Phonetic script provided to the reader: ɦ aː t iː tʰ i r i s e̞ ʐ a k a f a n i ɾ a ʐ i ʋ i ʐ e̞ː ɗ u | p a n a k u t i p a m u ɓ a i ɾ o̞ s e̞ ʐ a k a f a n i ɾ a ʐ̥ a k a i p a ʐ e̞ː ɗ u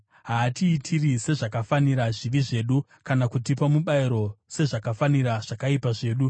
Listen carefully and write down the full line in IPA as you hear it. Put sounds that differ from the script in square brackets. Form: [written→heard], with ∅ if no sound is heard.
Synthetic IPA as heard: ɦ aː t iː tʰ i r i s e̞ ʐ a k a f a n i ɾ a ʐ i ʋ i ʐ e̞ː ɗ u | [p→k] a n a k u t i p a m u ɓ a i ɾ o̞ s e̞ ʐ a k a f a n i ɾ a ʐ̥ a k a i p a ʐ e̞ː ɗ u